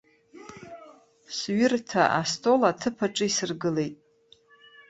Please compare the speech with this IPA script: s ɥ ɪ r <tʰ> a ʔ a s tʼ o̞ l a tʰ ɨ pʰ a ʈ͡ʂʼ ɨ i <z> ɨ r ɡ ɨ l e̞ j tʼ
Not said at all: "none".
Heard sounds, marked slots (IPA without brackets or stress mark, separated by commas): tʰ, s